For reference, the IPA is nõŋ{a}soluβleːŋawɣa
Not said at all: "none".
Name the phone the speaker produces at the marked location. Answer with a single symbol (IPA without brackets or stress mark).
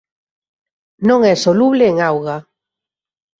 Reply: ɛ